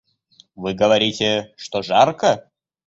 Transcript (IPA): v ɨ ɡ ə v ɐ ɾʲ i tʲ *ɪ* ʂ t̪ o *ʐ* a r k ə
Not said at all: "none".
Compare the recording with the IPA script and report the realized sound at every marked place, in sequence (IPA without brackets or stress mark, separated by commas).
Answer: ɪ, ʐ